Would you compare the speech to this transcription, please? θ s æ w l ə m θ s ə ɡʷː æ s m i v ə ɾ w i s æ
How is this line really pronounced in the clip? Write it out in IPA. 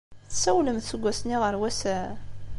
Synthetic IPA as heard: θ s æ w l ə m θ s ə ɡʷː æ s n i ʁ ə ɾ w æ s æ

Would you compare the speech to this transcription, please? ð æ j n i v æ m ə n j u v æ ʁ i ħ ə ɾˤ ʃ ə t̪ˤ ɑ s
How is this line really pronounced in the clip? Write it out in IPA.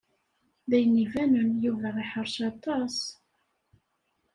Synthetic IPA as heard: ð æ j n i v æ n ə n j u v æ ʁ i ħ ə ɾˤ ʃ ɑ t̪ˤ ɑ s

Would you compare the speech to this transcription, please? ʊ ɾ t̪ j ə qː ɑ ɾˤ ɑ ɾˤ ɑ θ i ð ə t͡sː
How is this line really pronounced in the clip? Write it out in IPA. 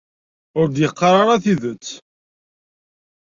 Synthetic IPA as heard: ʊ ɾ d̪ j ə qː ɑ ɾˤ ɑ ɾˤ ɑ θ i ð ə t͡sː

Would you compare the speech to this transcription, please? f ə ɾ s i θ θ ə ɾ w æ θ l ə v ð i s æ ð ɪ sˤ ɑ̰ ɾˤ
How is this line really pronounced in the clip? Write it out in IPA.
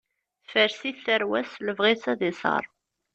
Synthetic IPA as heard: f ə ɾ s i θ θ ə ɾ w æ s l ə v ʁ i s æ ð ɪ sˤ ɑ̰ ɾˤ

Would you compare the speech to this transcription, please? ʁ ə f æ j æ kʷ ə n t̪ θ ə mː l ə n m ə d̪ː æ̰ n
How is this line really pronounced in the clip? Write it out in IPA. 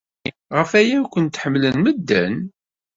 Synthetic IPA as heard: ʁ ə f æ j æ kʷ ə n t̪ ħ ə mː l ə n m ə d̪ː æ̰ n

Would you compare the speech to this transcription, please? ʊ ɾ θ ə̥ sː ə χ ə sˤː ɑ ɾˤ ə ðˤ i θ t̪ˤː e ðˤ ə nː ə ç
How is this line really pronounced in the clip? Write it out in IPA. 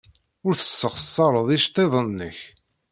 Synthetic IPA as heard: ʊ ɾ θ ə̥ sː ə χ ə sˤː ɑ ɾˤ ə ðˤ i ʃ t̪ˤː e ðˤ ə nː ə ç

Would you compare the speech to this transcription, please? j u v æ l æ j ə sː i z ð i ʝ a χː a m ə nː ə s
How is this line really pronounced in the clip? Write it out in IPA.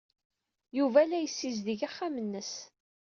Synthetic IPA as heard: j u v æ l æ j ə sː i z ð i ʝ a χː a m ə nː ə s

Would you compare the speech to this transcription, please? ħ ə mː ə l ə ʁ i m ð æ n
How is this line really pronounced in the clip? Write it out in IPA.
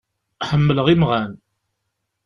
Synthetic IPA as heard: ħ ə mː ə l ə ʁ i m ʁ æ n

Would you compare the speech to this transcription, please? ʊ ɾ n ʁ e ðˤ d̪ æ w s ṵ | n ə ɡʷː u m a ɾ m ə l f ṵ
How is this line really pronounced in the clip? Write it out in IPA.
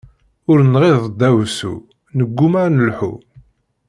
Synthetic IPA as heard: ʊ ɾ n ʁ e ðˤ d̪ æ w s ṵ | n ə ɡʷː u m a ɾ n ə l ħ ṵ

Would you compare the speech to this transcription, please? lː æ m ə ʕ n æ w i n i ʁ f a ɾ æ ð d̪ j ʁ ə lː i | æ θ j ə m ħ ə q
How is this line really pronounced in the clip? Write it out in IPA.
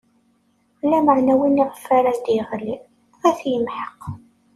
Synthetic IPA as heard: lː æ m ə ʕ n æ w i n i ʁ f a ɾ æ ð d̪ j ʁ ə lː i | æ θ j ə m ħ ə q

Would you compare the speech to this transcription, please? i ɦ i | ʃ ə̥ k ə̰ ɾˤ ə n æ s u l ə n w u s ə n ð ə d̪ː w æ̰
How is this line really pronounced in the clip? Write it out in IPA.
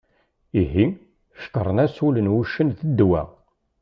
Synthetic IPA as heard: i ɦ i | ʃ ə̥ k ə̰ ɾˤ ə n æ s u l ə n w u ʃ ə n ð ə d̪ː w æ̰

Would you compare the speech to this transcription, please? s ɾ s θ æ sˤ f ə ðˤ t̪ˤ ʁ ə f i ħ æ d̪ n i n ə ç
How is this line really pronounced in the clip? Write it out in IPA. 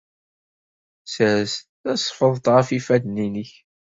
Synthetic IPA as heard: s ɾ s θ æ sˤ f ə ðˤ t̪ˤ ʁ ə f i f æ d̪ n i n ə ç

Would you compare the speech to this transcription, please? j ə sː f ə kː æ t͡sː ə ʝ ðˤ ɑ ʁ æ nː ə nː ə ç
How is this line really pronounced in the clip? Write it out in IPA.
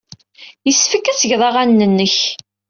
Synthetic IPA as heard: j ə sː f ə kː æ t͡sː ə ʝ ðˤ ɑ ʁ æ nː ə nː ə ç

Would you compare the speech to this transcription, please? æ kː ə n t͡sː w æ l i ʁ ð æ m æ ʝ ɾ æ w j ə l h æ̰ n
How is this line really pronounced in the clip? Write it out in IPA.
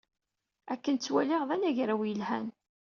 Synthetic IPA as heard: æ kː ə n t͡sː w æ l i ʁ ð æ n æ ʝ ɾ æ w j ə l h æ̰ n

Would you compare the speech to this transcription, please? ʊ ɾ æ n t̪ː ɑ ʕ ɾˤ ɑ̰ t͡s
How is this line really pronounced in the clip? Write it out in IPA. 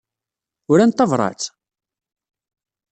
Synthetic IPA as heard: ʊ ɾ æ n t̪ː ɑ v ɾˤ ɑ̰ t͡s

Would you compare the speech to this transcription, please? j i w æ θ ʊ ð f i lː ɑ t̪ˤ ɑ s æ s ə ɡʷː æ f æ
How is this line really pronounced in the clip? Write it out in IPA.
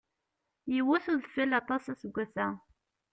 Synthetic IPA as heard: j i w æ θ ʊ ð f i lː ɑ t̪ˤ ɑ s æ s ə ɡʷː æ θ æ

